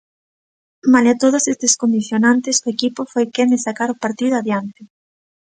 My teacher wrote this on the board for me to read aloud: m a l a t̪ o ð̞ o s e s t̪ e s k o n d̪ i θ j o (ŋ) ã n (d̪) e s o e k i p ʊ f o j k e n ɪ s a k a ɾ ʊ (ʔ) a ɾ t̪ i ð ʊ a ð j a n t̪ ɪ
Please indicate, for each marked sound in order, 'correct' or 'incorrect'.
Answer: incorrect: n, incorrect: t̪, incorrect: p

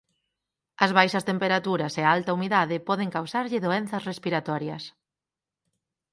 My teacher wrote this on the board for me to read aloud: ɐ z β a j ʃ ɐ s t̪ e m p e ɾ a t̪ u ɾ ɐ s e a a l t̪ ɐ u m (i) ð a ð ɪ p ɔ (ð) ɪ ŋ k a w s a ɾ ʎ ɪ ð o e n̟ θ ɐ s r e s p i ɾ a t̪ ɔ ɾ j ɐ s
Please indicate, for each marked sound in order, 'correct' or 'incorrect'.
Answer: correct, correct

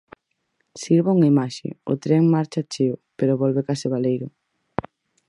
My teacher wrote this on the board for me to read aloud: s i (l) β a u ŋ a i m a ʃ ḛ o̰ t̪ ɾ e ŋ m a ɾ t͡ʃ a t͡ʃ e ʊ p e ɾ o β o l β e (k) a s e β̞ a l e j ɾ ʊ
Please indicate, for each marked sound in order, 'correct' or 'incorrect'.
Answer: incorrect: ɾ, correct

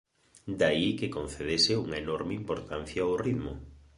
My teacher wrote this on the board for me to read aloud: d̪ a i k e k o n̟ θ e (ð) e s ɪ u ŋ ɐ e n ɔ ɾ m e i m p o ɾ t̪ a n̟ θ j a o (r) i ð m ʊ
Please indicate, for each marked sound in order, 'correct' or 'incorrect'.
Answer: correct, correct

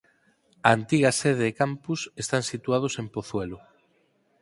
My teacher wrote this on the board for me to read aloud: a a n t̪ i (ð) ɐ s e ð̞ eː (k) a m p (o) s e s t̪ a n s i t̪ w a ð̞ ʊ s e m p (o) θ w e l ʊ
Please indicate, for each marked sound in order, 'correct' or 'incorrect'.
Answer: incorrect: ɣ, correct, incorrect: u, correct

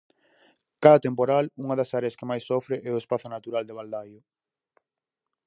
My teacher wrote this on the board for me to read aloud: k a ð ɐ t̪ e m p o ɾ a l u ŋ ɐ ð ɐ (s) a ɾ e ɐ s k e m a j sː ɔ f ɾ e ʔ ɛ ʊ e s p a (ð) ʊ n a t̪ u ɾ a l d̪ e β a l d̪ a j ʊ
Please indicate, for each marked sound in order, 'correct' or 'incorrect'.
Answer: correct, incorrect: θ

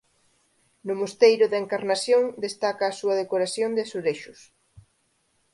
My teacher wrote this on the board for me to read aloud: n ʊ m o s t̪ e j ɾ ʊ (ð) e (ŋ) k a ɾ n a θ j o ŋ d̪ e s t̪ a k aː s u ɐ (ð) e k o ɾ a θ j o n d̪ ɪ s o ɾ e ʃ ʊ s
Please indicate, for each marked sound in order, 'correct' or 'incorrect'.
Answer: correct, correct, correct

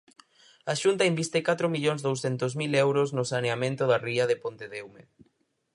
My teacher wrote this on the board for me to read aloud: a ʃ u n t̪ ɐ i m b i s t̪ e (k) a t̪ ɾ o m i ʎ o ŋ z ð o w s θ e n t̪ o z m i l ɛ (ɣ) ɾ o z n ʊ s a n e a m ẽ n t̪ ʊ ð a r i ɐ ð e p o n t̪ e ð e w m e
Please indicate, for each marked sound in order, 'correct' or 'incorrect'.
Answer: correct, incorrect: w

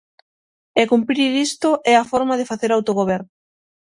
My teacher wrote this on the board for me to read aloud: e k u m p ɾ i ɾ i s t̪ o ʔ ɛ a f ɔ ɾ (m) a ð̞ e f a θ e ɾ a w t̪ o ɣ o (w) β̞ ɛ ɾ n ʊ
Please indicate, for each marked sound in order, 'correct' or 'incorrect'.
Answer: correct, incorrect: none

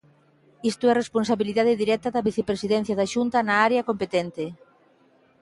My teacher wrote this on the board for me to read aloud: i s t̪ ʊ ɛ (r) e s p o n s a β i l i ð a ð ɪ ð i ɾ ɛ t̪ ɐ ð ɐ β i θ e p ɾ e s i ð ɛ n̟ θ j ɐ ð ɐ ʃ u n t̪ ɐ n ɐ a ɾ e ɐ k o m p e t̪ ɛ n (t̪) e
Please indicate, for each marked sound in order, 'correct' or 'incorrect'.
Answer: correct, correct

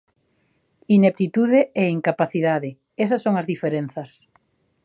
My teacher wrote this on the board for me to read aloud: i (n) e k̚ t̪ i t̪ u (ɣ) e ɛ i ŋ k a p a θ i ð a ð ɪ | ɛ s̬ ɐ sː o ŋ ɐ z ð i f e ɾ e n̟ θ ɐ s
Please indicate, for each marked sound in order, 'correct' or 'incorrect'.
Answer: correct, incorrect: ð

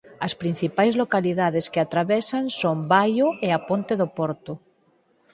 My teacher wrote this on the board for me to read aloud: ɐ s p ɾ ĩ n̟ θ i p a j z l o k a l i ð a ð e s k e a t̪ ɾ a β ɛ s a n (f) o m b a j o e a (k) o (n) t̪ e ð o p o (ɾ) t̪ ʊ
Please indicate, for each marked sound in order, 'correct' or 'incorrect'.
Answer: incorrect: s, incorrect: p, correct, correct

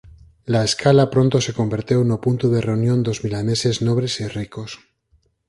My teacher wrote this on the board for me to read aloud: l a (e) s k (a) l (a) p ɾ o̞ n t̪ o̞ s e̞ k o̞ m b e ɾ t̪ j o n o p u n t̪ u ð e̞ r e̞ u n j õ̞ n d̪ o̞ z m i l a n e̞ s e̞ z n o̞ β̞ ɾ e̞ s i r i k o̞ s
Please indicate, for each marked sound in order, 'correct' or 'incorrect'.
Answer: correct, correct, correct

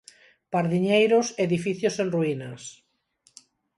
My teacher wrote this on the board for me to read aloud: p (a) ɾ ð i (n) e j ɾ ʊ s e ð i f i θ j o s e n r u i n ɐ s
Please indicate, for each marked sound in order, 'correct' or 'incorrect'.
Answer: correct, incorrect: ɲ

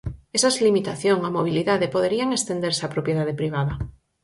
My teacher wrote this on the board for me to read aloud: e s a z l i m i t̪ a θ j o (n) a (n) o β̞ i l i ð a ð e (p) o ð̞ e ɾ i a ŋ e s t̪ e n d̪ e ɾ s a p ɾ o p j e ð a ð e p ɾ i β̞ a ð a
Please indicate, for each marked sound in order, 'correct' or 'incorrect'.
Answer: incorrect: ŋ, incorrect: m, correct

